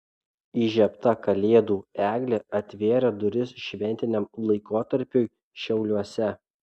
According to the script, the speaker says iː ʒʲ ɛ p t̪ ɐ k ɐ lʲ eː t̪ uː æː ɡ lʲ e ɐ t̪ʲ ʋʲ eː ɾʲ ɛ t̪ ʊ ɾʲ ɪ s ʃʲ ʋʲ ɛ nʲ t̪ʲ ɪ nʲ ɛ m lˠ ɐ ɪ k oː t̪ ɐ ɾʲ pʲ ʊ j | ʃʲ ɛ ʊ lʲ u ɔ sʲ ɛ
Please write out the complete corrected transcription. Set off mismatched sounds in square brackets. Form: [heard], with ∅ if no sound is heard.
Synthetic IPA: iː ʒʲ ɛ p t̪ ɐ k ɐ lʲ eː [d̪] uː æː ɡ lʲ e ɐ t̪ʲ ʋʲ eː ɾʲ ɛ [d̪] ʊ ɾʲ ɪ s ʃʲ ʋʲ ɛ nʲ t̪ʲ ɪ nʲ ɛ m lˠ ɐ ɪ k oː t̪ ɐ ɾʲ pʲ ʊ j | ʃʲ ɛ ʊ lʲ u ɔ sʲ ɛ